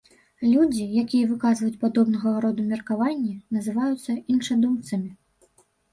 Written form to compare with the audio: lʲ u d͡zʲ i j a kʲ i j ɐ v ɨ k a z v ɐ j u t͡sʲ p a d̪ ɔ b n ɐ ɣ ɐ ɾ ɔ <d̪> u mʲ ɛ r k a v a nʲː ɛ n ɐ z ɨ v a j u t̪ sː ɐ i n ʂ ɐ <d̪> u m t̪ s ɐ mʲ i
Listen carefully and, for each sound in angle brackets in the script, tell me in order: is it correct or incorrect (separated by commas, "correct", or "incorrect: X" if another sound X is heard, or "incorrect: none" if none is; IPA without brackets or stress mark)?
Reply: correct, correct